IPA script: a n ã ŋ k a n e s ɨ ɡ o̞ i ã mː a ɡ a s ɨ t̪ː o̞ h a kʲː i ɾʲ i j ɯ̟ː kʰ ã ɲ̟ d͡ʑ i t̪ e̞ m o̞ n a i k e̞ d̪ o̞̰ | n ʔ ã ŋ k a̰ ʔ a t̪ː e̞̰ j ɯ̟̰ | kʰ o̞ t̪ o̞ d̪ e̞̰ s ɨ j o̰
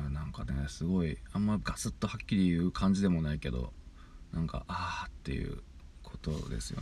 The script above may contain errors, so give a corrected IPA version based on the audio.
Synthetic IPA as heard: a n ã ŋ k a n e s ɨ ɡ o̞ i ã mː a ɡ a s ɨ t̪ː o̞ h a kʲː i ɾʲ i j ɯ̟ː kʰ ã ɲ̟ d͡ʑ i d̪ e̞ m o̞ n a i k e̞ d̪ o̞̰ | n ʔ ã ŋ k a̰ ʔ a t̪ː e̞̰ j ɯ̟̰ | kʰ o̞ t̪ o̞ d̪ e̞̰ s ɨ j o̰